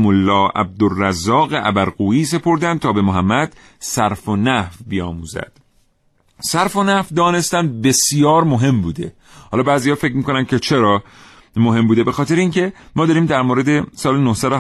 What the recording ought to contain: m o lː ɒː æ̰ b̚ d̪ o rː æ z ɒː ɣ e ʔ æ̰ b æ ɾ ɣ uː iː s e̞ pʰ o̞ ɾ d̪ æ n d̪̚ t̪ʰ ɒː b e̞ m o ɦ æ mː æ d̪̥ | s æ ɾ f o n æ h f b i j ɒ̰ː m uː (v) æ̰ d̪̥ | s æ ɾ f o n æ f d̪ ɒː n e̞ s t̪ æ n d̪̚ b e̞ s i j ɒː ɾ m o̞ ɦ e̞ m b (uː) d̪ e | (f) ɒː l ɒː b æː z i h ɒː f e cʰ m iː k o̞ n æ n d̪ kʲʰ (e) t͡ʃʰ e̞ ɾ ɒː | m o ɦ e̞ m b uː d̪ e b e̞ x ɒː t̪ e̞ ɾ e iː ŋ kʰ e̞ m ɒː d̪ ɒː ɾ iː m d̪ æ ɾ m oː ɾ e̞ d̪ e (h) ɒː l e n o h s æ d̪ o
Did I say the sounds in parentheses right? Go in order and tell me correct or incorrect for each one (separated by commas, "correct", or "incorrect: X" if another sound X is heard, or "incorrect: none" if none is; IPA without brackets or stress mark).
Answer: incorrect: z, correct, incorrect: h, correct, incorrect: s